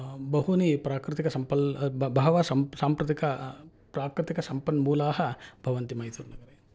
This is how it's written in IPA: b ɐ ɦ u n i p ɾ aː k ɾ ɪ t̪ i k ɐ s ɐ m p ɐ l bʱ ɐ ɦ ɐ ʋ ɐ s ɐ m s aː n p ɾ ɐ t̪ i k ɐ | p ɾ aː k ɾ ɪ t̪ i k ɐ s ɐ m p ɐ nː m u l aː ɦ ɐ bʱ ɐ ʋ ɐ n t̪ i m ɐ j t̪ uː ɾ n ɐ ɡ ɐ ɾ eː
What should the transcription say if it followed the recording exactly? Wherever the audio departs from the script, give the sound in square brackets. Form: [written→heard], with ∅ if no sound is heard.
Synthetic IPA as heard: b ɐ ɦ u n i p ɾ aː k ɾ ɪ t̪ i k ɐ s ɐ m p ɐ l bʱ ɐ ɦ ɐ ʋ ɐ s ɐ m s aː [n→m] p ɾ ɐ t̪ i k ɐ | p ɾ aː k ɾ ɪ t̪ i k ɐ s ɐ m p ɐ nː m [u→uː] l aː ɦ ɐ bʱ ɐ ʋ ɐ n t̪ i m ɐ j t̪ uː ɾ n ɐ ɡ ɐ ɾ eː